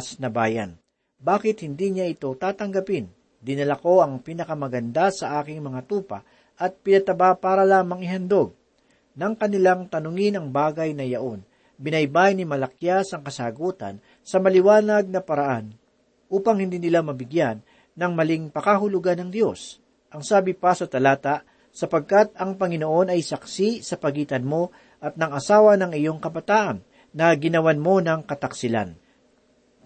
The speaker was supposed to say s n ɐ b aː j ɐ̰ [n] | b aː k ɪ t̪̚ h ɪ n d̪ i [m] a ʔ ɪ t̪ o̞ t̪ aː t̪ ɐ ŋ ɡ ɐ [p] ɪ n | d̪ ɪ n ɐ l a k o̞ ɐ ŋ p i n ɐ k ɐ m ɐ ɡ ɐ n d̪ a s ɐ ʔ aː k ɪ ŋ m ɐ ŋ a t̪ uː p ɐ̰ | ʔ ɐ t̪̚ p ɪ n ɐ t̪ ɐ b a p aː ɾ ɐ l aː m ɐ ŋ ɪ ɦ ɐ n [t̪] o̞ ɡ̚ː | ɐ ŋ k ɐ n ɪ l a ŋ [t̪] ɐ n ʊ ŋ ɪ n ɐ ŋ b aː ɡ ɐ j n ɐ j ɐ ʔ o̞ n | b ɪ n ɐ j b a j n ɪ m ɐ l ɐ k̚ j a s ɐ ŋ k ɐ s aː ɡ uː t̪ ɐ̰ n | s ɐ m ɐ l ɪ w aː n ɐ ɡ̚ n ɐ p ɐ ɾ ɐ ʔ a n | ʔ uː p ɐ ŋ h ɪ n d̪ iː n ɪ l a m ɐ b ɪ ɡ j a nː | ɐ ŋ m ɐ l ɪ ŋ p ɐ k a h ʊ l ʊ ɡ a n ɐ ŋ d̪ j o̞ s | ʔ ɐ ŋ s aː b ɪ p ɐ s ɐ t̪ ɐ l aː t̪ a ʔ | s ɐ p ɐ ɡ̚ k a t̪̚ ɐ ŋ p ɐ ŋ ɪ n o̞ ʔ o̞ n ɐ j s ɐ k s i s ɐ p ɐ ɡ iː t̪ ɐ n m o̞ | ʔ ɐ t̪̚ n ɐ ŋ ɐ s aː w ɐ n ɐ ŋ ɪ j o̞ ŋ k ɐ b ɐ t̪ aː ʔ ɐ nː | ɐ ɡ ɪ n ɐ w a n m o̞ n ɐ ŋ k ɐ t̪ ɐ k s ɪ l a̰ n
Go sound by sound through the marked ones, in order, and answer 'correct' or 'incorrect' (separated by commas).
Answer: correct, incorrect, correct, incorrect, correct